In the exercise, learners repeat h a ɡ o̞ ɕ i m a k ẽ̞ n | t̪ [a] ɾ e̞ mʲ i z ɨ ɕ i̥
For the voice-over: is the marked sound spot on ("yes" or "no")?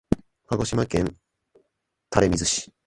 yes